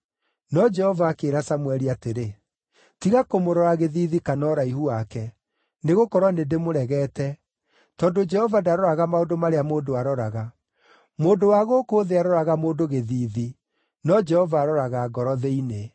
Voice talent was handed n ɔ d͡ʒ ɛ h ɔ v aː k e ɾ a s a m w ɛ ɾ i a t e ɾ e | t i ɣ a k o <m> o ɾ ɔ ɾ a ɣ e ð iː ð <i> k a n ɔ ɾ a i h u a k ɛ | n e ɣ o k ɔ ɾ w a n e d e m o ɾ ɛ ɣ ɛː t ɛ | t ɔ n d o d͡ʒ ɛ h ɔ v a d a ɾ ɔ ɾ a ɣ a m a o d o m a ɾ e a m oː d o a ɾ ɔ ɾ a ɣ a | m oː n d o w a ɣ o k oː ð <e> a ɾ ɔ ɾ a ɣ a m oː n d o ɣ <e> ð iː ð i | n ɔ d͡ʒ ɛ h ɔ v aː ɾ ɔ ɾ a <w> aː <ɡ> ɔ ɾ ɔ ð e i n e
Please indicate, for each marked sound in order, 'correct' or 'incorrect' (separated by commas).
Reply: correct, correct, correct, correct, incorrect, correct